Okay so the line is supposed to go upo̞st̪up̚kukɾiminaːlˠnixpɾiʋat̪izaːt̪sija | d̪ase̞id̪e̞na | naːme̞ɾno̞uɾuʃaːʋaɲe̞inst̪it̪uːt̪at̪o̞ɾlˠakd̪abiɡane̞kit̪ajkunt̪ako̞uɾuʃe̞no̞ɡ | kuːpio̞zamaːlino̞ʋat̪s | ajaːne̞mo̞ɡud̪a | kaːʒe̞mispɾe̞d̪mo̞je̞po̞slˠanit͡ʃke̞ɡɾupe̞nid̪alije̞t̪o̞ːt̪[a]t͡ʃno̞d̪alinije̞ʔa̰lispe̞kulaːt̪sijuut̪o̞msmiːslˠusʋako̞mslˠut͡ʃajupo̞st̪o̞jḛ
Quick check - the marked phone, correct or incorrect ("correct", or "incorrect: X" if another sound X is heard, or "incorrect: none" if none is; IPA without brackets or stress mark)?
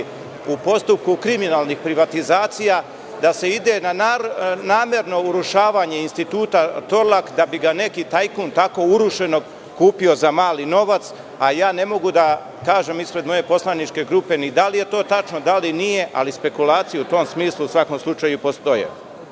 correct